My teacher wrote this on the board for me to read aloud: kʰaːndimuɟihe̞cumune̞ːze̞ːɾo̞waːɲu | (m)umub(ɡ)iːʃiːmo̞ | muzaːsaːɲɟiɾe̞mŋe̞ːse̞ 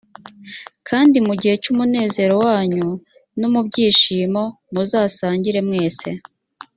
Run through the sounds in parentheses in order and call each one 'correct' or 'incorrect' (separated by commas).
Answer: incorrect, incorrect